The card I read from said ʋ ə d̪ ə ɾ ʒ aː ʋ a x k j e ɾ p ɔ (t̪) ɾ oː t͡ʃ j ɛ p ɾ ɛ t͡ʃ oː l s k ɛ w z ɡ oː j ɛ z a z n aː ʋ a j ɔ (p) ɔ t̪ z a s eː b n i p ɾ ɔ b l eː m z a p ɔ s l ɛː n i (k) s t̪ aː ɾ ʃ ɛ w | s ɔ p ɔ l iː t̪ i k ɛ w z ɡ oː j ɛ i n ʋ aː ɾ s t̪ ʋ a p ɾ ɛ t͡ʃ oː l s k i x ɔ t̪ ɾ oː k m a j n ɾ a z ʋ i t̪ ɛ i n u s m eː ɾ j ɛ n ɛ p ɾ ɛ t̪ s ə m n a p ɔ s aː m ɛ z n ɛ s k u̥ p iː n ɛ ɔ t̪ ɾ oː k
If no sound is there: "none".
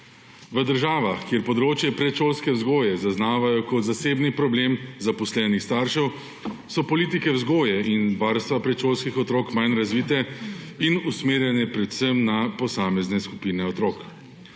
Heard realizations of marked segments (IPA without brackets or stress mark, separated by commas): d̪, k, x